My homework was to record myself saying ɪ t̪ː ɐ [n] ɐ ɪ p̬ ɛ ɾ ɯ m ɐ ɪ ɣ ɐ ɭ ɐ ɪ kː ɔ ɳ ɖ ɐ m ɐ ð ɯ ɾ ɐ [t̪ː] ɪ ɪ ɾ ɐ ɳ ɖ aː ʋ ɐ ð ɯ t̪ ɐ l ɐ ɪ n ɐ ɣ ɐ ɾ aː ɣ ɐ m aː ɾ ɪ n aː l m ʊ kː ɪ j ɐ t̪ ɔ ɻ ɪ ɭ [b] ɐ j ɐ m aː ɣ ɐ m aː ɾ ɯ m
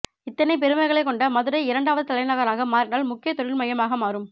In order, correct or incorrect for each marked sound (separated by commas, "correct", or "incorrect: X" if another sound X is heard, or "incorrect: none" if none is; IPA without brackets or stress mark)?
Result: correct, incorrect: none, incorrect: m